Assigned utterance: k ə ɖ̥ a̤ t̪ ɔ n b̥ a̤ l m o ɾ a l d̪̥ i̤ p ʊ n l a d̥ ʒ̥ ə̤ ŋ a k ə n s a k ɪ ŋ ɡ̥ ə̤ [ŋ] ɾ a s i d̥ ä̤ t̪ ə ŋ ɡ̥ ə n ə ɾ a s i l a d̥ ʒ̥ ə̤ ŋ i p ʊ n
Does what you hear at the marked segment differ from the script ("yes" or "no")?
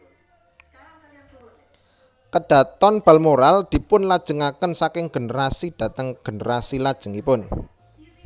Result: yes